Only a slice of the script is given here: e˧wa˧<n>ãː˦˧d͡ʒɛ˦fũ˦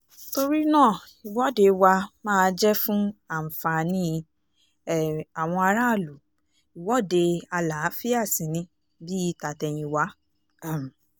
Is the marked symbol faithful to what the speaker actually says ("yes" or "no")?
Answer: no